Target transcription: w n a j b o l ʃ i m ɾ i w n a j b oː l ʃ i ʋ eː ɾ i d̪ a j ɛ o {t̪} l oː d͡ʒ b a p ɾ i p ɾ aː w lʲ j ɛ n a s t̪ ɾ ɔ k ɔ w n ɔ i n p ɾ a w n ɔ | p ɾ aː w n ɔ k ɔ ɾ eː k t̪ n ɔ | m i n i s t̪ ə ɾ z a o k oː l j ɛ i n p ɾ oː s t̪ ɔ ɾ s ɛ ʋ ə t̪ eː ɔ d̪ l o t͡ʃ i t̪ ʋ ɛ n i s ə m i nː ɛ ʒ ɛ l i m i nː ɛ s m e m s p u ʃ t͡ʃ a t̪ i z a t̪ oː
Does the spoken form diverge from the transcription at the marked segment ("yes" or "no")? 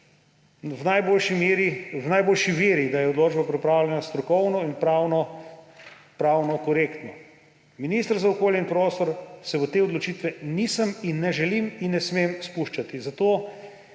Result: yes